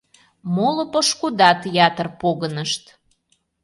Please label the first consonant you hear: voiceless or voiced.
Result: voiced